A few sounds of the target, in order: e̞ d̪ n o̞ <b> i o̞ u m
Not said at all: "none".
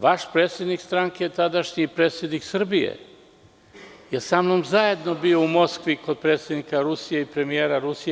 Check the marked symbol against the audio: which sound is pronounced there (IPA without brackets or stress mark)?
b